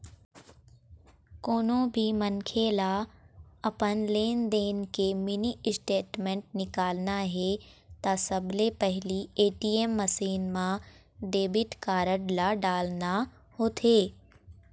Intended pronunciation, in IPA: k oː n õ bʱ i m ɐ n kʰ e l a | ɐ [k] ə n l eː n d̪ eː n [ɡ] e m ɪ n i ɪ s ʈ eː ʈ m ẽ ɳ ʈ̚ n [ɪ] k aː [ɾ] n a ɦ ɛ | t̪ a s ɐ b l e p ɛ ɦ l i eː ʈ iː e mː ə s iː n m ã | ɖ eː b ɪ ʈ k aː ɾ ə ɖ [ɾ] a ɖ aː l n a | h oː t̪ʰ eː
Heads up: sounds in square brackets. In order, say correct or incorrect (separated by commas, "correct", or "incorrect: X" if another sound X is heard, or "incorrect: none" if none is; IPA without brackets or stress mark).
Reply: incorrect: p, incorrect: k, correct, incorrect: l, incorrect: l